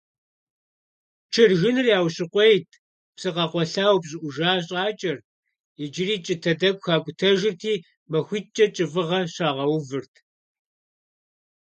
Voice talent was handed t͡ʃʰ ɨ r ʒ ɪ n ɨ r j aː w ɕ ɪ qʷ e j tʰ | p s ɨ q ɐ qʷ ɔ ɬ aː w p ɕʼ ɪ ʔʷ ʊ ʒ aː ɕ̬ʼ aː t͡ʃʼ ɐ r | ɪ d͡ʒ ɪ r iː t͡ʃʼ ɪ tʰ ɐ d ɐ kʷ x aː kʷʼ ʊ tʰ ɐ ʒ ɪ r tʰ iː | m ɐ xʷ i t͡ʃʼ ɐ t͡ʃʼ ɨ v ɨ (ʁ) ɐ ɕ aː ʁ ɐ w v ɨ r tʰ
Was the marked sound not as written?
no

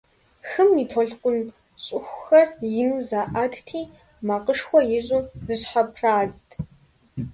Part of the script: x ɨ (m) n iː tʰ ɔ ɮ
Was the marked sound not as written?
no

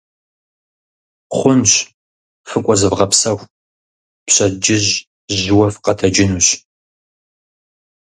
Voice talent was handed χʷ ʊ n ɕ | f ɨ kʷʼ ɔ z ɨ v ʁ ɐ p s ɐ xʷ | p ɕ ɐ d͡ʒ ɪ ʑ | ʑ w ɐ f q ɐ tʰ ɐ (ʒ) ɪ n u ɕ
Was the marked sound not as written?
yes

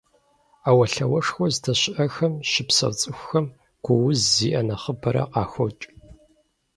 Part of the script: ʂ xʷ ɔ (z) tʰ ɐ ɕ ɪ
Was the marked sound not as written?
no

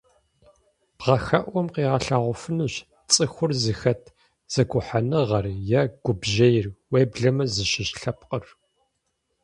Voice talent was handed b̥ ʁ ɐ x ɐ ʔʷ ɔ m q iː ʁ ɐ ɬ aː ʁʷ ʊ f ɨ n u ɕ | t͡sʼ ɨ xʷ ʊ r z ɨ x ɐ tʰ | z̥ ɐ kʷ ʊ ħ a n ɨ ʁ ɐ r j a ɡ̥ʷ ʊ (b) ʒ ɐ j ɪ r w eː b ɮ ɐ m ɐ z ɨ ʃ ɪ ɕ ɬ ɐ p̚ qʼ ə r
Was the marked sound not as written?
no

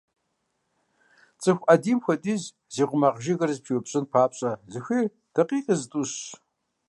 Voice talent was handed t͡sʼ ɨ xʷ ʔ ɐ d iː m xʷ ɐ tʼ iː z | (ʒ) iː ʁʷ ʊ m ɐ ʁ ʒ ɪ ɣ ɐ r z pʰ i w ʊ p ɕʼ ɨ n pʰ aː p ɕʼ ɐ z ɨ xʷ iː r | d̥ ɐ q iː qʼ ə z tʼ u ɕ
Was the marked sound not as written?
yes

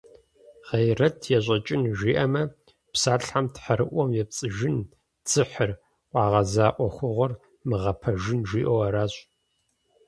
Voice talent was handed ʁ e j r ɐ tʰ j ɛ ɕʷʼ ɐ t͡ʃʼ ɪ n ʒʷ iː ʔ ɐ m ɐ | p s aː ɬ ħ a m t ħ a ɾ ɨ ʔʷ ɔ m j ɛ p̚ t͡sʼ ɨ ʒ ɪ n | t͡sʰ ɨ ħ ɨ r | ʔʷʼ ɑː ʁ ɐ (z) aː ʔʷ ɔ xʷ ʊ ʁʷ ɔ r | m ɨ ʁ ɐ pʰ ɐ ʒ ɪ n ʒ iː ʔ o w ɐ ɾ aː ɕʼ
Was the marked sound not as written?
no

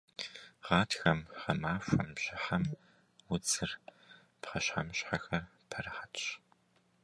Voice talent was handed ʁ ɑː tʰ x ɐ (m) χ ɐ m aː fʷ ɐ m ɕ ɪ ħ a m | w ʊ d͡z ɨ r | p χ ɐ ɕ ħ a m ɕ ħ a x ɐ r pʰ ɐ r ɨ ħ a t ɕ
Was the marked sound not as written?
no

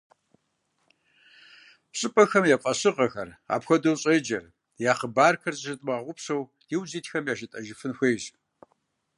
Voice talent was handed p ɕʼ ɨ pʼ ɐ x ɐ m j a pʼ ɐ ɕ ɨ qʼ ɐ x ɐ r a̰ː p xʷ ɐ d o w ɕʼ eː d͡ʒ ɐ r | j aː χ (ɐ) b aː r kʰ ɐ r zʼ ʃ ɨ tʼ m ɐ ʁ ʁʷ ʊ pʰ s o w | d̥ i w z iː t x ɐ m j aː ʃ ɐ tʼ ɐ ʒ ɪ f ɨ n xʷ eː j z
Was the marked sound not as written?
yes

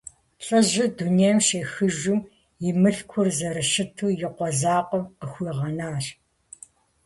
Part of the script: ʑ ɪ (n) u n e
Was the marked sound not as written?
yes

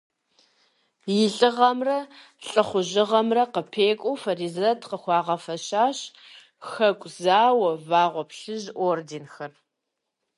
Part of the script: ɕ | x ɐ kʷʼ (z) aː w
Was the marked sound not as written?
no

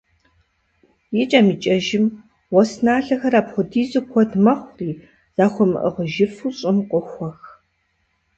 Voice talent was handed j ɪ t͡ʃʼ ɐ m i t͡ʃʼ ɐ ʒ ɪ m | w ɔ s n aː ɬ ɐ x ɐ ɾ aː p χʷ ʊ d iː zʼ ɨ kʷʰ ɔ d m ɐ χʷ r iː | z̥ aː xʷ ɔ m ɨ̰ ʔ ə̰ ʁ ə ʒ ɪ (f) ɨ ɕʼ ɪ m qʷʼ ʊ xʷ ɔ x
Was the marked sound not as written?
no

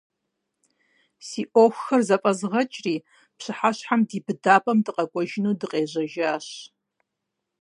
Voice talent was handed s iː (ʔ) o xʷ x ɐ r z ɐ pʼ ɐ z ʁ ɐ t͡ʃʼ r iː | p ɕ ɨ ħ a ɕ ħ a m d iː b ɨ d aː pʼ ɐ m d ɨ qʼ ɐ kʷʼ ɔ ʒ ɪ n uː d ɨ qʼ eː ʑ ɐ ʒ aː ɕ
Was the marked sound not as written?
no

